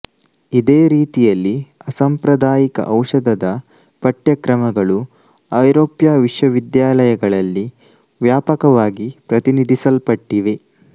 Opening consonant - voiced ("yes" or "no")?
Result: yes